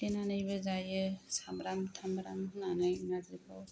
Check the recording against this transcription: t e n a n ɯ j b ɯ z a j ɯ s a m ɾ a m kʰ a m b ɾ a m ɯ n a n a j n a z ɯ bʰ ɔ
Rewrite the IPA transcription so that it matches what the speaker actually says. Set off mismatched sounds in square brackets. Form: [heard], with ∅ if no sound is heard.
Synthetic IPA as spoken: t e n a n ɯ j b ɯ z a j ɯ s a m ɾ a m [tʰ] a m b ɾ a m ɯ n a n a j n a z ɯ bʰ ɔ